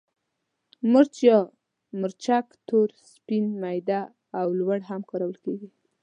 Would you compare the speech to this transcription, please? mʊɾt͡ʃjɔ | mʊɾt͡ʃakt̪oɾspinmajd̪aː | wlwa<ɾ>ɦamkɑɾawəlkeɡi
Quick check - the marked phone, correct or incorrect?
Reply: incorrect